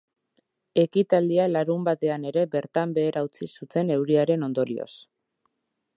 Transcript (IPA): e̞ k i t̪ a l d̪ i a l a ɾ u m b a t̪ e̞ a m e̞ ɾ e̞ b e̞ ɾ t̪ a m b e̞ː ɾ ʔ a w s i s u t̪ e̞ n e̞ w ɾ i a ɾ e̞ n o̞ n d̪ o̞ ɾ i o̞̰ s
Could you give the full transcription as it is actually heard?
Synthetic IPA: e̞ k i t̪ a l d̪ i a l a ɾ u m b a t̪ e̞ a n e̞ ɾ e̞ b e̞ ɾ t̪ a m b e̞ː ɾ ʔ a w t͡s i s u t̪ e̞ n e̞ w ɾ i a ɾ e̞ n o̞ n d̪ o̞ ɾ i o̞̰ s

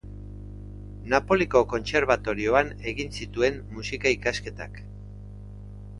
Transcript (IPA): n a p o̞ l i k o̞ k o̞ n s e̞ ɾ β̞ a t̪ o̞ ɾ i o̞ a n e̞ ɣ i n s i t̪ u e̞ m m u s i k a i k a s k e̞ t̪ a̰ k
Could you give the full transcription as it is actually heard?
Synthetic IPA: n a p o̞ l i k o̞ k o̞ n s e̞ ɾ β̞ a t̪ o̞ ɾ i o̞ a n e̞ ɣ i n s i t̪ u e̞ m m u s i k a i k a s k e̞ t̪ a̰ k

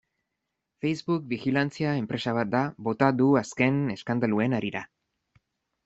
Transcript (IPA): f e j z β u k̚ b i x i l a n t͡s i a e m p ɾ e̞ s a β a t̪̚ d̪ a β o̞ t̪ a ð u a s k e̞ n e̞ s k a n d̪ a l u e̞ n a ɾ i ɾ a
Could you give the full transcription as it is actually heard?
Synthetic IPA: f e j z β u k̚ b i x i l a n t͡s i a e m p ɾ e̞ s a β a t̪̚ d̪ a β o̞ t̪ a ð u a s k e̞ n e̞ s k a n d̪ a l u e̞ n a ɾ i ɾ a

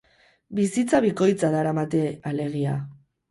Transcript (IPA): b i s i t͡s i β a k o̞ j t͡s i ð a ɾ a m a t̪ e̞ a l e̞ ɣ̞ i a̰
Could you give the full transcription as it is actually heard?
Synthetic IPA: b i s i t͡s a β i k o̞ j t͡s a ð a ɾ a m a t̪ e̞ a l e̞ ɣ̞ i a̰

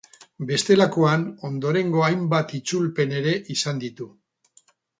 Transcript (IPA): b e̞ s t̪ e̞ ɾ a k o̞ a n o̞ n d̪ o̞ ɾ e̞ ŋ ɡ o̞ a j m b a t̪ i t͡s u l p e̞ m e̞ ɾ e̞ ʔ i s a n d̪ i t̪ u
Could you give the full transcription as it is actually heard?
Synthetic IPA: b e̞ s t̪ e̞ l a k o̞ a n o̞ n d̪ o̞ ɾ e̞ ŋ ɡ o̞ a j m b a t̪ i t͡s u l p e̞ n e̞ ɾ e̞ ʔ i s a n d̪ i t̪ u

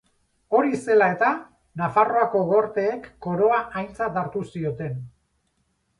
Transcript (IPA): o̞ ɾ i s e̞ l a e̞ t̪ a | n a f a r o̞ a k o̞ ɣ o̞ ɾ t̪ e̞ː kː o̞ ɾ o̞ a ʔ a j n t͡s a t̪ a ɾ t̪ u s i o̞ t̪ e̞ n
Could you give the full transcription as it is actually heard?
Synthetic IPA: o̞ ɾ i s e̞ l a e̞ t̪ a | n a f a r o̞ a k o̞ ɣ o̞ ɾ t̪ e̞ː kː o̞ ɾ o̞ a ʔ a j n t͡s a t̪ a ɾ t̪ u s i o̞ t̪ e̞ n

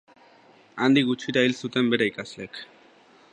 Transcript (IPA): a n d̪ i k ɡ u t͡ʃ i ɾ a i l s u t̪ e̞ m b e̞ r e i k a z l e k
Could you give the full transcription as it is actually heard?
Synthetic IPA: a n d̪ i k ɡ u t͡ʃ i ɾ a i l s u t̪ e̞ m b e̞ ɾ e i k a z l e k

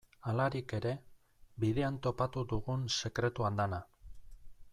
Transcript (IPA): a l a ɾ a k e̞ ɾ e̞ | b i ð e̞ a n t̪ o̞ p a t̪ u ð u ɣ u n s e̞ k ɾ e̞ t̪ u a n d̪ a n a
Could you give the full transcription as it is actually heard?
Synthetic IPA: a l a ɾ i k e̞ ɾ e̞ | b i ð e̞ a n t̪ o̞ p a t̪ u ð u ɣ u n s e̞ k ɾ e̞ t̪ u a n d̪ a n a

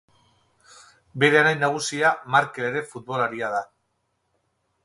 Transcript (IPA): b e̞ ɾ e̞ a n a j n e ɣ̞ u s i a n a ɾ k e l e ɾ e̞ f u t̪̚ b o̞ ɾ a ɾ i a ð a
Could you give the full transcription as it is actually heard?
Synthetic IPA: b e̞ ɾ e̞ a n a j n a ɣ̞ u s i a m a ɾ k e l e ɾ e̞ f u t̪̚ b o̞ l a ɾ i a ð a

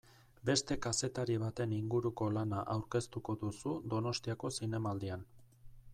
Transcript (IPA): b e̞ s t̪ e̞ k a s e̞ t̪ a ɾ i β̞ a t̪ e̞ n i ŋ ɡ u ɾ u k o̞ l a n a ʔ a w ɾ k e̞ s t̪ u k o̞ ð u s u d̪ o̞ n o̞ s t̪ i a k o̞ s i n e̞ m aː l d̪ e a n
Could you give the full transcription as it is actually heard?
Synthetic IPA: b e̞ s t̪ e̞ k a s e̞ t̪ a ɾ i β̞ a t̪ e̞ n i ŋ ɡ u ɾ u k o̞ l a n a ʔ a w ɾ k e̞ s t̪ u k o̞ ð u s u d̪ o̞ n o̞ s t̪ i a k o̞ s i n e̞ m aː l d̪ i a n

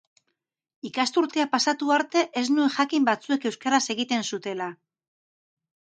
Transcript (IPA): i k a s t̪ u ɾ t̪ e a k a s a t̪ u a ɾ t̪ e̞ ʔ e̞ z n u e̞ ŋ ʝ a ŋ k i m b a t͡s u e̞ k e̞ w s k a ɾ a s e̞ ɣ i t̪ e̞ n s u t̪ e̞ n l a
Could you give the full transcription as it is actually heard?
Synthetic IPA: i k a s t̪ u ɾ t̪ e a p a s a t̪ u a ɾ t̪ e̞ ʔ e̞ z n u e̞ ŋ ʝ a k i m b a t͡s u e̞ k e̞ w s k a ɾ a s e̞ ɣ i t̪ e̞ n s u t̪ e̞ l a

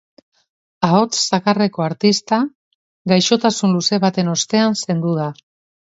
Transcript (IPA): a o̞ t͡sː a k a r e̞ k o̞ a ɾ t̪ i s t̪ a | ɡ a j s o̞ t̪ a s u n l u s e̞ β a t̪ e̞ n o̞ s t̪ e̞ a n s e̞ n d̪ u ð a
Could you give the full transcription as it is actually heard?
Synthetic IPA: a o̞ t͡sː a k a r e̞ k o̞ a ɾ t̪ i s t̪ a | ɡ a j ʃ o̞ t̪ a s u n l u s e̞ β a t̪ e̞ n o̞ s t̪ e̞ a n s e̞ n d̪ u ð a

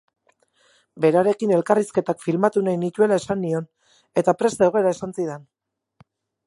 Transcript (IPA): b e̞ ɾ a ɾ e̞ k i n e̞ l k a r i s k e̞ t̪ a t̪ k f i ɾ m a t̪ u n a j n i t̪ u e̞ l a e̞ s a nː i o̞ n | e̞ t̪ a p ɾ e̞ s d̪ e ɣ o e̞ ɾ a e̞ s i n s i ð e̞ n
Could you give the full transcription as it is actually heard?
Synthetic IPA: b e̞ ɾ a ɾ e̞ k i n e̞ l k a r i s k e̞ t̪ a k f i l m a t̪ u n a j n i t̪ u e̞ l a e̞ s a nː i o̞ n | e̞ t̪ a p ɾ e̞ s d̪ e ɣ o e̞ ɾ a e̞ s a n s i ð e̞ n

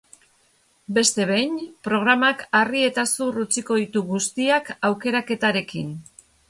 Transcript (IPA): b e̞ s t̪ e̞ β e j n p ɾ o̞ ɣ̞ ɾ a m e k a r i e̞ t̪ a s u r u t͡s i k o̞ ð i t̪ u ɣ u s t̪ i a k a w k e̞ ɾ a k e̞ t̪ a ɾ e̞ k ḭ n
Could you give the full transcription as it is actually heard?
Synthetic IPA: b e̞ s t̪ e̞ β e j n p ɾ o̞ ɣ̞ ɾ a m a k a r i e̞ t̪ a s u r u t͡s i k o̞ ð i t̪ u ɣ u s t̪ i a k a w k e̞ ɾ a k e̞ t̪ a ɾ e̞ k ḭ n

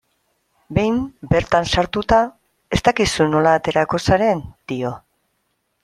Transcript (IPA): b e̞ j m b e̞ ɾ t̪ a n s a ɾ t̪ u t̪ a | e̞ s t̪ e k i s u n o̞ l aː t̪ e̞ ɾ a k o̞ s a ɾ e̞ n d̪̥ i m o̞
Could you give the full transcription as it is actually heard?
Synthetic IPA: b e̞ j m b e̞ ɾ t̪ a n s a ɾ t̪ u t̪ a | e̞ s t̪ a k i s u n o̞ l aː t̪ e̞ ɾ a k o̞ s a ɾ e̞ n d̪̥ i o̞

